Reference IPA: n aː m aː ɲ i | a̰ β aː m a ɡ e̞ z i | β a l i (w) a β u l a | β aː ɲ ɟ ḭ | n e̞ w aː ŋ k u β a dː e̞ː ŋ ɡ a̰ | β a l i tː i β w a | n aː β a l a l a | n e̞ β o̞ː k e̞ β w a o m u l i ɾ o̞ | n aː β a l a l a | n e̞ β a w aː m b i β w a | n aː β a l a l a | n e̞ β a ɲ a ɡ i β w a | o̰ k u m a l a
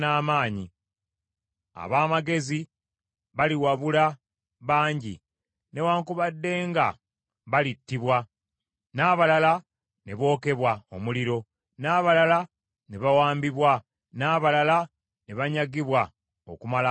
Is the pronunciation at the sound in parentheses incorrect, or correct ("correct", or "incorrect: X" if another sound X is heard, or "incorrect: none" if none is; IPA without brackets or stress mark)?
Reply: correct